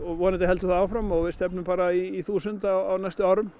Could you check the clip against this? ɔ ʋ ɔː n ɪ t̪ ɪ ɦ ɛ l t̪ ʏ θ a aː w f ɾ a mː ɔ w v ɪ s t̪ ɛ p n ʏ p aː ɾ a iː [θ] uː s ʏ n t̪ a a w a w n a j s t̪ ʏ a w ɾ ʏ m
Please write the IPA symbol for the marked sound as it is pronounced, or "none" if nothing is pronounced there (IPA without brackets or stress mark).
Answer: θ